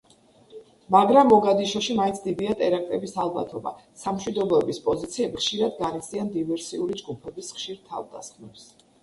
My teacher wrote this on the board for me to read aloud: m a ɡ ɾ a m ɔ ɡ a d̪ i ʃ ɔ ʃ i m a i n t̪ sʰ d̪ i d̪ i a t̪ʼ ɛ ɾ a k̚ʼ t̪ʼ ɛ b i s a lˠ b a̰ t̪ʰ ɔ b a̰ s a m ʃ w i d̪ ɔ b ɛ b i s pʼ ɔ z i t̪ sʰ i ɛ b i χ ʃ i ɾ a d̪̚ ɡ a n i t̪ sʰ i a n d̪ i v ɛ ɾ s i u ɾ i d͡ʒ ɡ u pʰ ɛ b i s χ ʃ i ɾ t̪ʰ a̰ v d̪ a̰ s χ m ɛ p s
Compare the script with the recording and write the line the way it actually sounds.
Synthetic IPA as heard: m a ɡ ɾ a m ɔ ɡ a d̪ i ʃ ɔ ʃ i m a i n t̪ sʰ d̪ i d̪ i a t̪ʼ ɛ ɾ a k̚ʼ t̪ʼ ɛ b i s a lˠ b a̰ t̪ʰ ɔ b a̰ s a m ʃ w i d̪ ɔ b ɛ b i s pʼ ɔ z i t̪ sʰ i ɛ b i χ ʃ i ɾ a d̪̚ ɡ a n i t̪ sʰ i a n d̪ i v ɛ ɾ s i u ɾ i d͡ʒ ɡ u pʰ ɛ b i s χ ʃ i ɾ t̪ʰ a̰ v d̪ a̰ s χ m ɛ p s